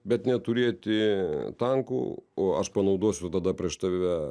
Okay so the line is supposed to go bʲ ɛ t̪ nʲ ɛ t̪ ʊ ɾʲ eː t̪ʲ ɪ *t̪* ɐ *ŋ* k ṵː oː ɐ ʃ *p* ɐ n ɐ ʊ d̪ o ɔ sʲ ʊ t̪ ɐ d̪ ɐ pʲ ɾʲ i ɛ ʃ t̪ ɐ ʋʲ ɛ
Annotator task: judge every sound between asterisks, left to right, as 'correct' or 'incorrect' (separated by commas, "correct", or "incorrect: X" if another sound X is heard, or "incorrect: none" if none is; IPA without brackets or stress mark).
correct, correct, correct